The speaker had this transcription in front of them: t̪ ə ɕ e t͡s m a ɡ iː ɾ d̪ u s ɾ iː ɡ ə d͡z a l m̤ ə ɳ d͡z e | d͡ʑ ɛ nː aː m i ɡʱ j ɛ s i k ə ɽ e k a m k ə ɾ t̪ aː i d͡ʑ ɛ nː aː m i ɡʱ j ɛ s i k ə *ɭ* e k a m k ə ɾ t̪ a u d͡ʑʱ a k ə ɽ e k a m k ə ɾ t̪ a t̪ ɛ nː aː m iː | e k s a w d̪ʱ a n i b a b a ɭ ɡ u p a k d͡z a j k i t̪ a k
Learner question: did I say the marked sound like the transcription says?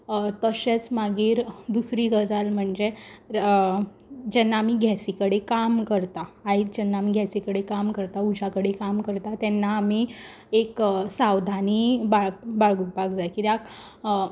no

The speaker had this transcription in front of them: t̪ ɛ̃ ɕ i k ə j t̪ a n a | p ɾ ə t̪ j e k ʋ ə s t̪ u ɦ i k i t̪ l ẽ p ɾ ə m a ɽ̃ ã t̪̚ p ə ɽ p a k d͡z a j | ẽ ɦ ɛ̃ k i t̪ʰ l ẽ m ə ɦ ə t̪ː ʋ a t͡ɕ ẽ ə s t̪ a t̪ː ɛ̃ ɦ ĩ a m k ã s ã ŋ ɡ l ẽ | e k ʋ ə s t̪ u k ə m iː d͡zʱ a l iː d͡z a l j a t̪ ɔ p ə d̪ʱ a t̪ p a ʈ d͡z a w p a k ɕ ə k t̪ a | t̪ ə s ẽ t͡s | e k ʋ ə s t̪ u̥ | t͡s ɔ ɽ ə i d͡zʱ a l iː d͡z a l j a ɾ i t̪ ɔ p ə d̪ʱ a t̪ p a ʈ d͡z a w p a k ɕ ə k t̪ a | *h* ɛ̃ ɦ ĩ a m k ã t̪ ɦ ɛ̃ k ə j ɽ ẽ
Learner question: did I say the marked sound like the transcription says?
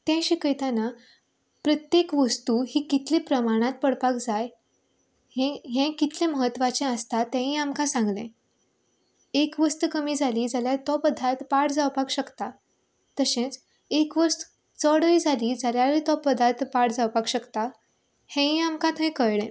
yes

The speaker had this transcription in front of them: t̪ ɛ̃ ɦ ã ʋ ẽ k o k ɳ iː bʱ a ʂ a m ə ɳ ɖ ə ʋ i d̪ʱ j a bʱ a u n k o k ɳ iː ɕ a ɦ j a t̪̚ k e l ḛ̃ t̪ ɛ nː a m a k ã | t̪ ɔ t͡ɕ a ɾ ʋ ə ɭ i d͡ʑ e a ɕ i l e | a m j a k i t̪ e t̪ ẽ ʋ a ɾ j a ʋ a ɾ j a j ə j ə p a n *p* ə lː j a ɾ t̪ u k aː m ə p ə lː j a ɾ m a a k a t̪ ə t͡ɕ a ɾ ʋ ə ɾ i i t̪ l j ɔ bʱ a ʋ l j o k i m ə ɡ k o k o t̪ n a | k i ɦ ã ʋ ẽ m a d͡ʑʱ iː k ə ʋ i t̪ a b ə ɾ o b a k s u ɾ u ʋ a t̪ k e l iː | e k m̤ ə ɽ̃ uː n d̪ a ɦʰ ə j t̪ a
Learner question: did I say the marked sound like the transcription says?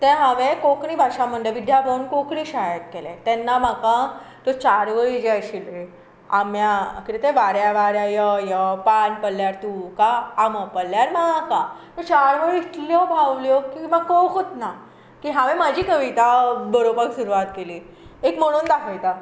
yes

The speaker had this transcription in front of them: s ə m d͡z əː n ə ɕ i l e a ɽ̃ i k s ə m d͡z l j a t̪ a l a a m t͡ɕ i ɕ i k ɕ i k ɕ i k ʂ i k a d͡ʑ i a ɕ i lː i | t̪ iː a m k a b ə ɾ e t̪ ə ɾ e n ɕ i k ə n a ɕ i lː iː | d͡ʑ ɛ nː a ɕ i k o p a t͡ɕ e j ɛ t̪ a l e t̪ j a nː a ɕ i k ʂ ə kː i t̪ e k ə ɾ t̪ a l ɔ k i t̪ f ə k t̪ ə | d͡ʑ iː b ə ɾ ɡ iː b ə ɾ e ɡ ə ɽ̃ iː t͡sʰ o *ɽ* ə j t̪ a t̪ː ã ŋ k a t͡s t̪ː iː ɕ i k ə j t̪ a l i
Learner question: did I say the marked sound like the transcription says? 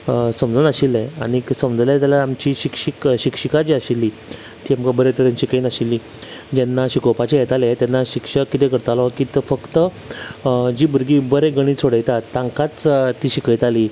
yes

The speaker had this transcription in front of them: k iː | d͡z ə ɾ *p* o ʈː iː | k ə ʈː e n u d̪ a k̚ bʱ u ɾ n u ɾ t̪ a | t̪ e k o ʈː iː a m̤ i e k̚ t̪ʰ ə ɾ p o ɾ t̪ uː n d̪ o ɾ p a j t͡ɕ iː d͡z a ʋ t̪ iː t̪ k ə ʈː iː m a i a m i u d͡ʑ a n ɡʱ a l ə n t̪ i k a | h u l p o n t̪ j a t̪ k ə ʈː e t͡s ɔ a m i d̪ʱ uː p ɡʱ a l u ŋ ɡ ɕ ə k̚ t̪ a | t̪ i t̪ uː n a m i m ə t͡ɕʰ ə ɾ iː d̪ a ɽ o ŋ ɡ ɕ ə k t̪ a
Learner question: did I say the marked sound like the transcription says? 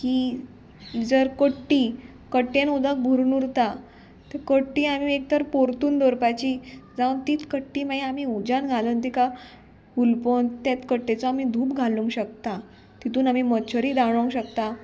no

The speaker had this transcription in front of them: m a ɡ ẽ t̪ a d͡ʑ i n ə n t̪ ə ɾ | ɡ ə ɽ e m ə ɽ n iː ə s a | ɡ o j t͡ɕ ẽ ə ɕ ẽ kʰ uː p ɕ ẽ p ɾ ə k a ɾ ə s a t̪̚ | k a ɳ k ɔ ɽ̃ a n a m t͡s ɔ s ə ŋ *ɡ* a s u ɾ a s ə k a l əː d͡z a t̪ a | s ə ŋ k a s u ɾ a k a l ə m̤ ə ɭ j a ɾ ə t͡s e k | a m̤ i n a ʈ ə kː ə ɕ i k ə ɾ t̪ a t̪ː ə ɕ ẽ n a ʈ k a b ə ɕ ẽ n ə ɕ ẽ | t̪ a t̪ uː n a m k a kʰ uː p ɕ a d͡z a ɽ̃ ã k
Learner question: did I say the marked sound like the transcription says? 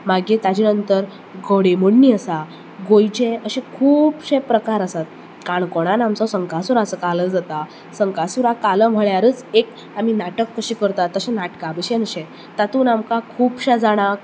no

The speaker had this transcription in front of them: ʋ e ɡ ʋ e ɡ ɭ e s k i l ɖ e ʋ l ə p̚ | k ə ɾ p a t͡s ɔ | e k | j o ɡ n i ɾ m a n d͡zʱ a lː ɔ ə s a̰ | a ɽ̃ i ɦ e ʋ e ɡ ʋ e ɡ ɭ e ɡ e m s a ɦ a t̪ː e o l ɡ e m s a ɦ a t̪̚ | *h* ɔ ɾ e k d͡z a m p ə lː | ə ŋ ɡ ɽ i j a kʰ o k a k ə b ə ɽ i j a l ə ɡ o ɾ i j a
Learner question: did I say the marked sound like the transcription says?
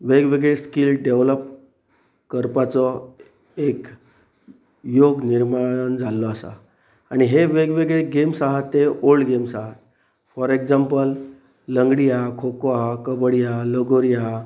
no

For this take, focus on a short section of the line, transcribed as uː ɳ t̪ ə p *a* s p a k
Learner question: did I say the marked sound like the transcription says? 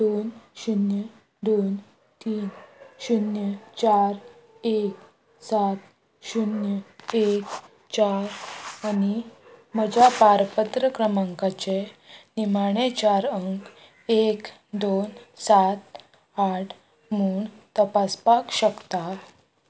yes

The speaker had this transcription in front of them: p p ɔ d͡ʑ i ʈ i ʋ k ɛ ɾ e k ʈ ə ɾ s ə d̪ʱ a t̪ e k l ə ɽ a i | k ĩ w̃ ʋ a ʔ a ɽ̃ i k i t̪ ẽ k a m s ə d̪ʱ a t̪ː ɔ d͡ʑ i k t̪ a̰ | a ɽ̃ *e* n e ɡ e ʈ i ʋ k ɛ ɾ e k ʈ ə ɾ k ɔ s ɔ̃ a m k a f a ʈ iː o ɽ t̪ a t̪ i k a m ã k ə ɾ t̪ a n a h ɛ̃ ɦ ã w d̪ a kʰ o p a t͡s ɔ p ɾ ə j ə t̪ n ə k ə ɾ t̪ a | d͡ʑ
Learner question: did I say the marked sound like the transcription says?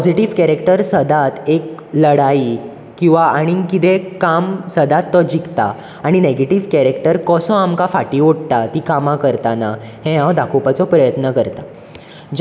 no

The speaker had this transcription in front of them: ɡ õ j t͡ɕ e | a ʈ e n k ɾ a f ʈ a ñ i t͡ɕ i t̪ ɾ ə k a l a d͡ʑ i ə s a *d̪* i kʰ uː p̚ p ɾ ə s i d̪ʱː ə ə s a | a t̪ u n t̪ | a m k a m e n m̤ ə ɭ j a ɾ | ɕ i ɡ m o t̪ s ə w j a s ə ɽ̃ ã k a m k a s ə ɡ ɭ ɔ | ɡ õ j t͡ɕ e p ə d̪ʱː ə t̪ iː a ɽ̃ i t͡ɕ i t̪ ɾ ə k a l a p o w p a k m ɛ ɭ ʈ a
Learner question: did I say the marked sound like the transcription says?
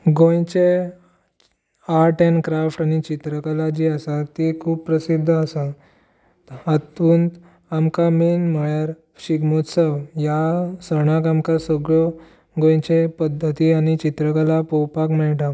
no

